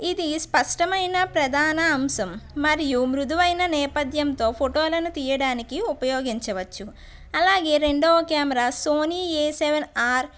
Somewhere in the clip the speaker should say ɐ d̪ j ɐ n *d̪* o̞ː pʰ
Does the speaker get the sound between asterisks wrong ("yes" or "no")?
yes